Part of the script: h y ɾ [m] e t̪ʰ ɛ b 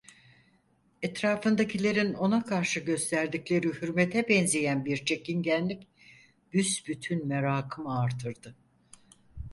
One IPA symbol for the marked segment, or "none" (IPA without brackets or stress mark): m